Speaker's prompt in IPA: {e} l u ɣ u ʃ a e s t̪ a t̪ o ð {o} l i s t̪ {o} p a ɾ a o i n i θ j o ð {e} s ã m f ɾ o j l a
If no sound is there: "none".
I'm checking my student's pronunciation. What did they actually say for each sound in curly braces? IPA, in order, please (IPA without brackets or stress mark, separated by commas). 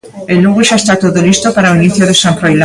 e, o, o, e